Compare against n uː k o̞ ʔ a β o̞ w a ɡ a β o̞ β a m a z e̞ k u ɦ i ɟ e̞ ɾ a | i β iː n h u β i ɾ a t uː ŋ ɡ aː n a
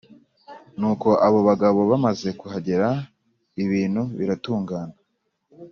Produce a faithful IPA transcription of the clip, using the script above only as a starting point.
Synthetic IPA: n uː k o̞ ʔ a β o̞ β a ɡ a β o̞ β a m a z e̞ k u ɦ a ɟ e̞ ɾ a | i β iː n h u β i ɾ a t uː ŋ ɡ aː n a